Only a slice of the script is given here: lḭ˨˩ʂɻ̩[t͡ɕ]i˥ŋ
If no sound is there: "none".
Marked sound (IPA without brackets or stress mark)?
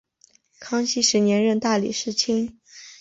t͡ɕʰ